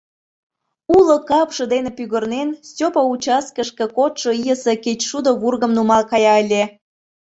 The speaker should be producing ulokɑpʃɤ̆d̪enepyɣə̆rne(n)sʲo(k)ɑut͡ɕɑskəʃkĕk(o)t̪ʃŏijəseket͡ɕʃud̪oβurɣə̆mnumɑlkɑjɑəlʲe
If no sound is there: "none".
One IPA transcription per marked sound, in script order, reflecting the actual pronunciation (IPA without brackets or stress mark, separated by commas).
n, p, o